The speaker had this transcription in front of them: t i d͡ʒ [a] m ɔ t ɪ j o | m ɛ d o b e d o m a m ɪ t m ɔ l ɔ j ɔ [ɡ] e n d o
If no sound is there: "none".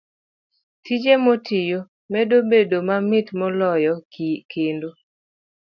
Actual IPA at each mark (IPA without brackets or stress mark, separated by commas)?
e, k